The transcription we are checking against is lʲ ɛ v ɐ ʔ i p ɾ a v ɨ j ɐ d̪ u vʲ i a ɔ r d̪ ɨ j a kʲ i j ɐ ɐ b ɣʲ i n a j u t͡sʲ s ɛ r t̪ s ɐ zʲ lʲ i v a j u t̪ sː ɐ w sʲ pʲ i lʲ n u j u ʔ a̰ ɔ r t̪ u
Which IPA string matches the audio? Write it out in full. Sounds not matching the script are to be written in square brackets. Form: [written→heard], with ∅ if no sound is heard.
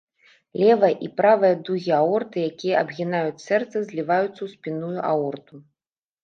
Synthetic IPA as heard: lʲ ɛ v ɐ ʔ i p ɾ a v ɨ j ɐ d̪ u [vʲ→ɣʲ] i a ɔ r [d̪→t̪] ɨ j a kʲ i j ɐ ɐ b ɣʲ i n a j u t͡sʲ s ɛ r t̪ s ɐ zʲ lʲ i v a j u t̪ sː ɐ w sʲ pʲ i [lʲ→∅] n u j u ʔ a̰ ɔ r t̪ u